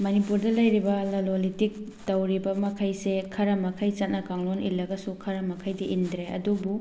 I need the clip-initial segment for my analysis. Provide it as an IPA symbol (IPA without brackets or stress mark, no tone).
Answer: m